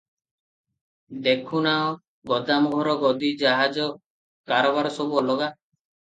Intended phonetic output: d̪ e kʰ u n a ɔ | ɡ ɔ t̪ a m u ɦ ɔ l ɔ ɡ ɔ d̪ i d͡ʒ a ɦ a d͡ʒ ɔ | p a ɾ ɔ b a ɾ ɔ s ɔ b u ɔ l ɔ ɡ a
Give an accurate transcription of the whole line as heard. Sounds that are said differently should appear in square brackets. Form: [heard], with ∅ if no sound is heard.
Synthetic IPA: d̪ e kʰ u n a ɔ | ɡ ɔ [d̪] a m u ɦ ɔ [ɾ] ɔ ɡ ɔ d̪ i d͡ʒ a ɦ a d͡ʒ ɔ | [k] a ɾ ɔ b a ɾ ɔ s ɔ b u ɔ l ɔ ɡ a